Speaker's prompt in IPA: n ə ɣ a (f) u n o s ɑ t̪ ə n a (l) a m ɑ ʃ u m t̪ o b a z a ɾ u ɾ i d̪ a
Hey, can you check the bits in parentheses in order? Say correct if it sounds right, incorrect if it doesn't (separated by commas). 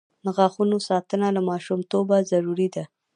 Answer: incorrect, correct